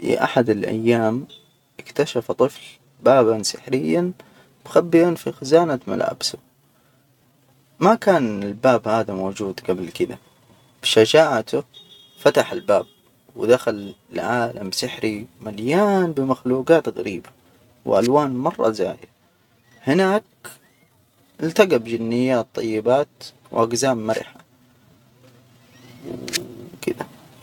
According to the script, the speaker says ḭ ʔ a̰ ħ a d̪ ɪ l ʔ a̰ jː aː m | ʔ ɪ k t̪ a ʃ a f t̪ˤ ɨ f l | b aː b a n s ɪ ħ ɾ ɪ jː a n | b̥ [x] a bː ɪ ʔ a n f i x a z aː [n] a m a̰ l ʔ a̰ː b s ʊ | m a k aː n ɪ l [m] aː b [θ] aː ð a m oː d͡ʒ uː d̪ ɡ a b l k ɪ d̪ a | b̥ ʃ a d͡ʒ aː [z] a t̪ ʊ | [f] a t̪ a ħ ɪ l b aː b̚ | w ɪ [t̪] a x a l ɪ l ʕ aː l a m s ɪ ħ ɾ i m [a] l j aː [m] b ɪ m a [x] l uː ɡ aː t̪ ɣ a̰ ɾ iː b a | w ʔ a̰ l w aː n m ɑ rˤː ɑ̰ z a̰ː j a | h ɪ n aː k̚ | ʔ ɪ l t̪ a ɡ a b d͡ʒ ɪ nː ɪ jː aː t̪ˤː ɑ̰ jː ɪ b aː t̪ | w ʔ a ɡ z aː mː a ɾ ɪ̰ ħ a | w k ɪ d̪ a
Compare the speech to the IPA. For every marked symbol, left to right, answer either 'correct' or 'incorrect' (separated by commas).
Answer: correct, correct, incorrect, incorrect, incorrect, correct, incorrect, correct, incorrect, correct